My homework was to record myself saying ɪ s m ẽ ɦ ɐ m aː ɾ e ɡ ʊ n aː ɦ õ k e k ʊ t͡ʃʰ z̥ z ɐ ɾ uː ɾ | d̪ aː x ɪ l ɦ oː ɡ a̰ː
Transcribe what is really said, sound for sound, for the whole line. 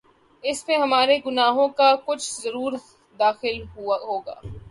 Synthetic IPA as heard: ɪ s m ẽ ɦ ɐ m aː ɾ e ɡ ʊ n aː ɦ õ k a k ʊ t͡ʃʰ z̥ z ɐ ɾ uː ɾ | d̪ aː x ɪ l ɦ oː ɡ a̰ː